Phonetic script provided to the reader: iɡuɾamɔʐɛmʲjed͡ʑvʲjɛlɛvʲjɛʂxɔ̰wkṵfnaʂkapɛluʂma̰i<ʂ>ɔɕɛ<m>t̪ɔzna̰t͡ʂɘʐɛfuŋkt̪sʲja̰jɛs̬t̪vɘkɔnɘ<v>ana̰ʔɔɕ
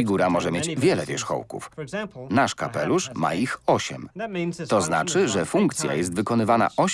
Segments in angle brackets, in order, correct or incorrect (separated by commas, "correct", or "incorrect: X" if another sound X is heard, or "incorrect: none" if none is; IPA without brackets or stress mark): incorrect: x, correct, correct